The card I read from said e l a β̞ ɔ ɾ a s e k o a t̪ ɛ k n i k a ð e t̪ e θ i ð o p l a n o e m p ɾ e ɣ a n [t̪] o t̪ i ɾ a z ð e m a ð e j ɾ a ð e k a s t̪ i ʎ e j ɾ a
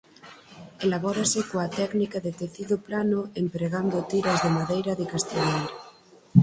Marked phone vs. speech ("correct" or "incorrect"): incorrect